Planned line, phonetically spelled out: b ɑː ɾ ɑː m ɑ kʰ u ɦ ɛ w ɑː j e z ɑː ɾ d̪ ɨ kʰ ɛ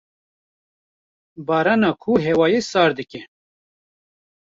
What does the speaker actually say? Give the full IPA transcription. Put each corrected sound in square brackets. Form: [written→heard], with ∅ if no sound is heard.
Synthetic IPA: b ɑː ɾ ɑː [m→n] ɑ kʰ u ɦ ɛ w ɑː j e [z→s] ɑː ɾ d̪ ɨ [kʰ→k] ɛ